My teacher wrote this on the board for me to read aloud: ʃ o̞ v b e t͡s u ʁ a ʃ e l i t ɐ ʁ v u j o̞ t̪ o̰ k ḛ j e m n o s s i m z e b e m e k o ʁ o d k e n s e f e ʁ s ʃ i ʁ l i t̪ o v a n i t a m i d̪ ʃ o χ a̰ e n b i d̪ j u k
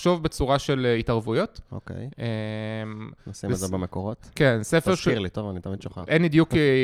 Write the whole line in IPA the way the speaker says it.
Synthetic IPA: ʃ o̞ v b e t͡s u ʁ a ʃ e l i t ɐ ʁ v u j o̞ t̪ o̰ k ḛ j e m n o s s i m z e b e m e k o ʁ o t k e n s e f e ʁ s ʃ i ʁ l i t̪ o v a n i t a m i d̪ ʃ o χ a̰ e n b i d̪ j u k